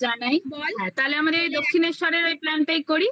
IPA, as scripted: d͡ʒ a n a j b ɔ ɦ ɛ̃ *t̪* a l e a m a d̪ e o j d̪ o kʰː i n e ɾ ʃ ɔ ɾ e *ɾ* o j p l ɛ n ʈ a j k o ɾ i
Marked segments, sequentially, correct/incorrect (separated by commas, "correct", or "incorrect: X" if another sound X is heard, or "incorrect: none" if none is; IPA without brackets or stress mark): correct, correct